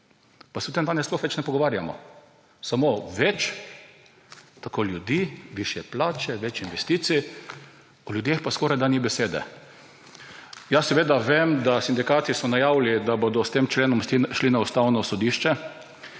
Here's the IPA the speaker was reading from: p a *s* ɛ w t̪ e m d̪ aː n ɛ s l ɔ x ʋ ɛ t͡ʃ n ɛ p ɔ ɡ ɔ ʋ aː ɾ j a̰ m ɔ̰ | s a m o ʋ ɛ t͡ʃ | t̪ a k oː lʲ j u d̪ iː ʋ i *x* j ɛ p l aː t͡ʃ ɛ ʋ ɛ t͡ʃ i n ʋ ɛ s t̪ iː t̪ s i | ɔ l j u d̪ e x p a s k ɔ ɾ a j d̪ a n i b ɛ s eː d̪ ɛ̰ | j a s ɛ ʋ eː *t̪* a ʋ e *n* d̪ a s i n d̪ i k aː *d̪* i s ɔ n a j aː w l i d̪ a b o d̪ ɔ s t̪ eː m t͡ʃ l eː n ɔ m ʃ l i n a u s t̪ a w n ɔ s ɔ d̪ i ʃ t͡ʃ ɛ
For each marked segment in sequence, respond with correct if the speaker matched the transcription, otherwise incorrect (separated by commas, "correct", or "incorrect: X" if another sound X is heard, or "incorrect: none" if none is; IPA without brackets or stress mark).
correct, incorrect: ʃ, incorrect: d̪, incorrect: m, incorrect: t̪